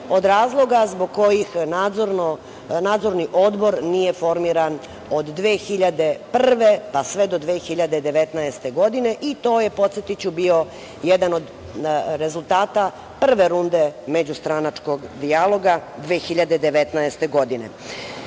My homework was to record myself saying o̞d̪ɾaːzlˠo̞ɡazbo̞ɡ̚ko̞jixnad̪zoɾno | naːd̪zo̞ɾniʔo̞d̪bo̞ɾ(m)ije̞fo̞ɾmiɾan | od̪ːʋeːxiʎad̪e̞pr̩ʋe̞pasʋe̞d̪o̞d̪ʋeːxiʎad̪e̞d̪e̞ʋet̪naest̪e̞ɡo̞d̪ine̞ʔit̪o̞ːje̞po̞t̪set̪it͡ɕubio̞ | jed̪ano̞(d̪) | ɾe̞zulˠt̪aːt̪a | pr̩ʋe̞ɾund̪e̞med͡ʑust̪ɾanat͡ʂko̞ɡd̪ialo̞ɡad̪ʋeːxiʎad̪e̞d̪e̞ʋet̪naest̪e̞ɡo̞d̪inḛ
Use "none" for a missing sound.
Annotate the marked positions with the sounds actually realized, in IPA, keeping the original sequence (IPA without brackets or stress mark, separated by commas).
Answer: n, d̪